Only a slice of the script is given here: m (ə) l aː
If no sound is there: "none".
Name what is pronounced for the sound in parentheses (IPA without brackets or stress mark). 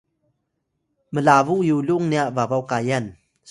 ə